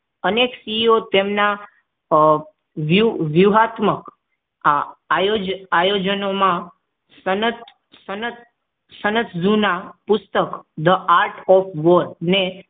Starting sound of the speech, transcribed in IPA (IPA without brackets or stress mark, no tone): ə